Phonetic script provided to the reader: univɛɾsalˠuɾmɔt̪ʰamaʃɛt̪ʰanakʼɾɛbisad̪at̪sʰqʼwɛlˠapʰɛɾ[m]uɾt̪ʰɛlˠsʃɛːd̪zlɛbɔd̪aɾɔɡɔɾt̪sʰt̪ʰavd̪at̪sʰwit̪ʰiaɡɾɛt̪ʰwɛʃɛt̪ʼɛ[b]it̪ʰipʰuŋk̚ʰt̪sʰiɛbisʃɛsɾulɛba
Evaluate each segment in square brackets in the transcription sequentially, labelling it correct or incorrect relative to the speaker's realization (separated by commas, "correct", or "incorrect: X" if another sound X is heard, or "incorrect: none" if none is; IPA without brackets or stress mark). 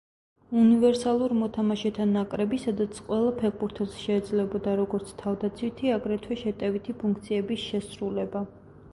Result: incorrect: b, incorrect: v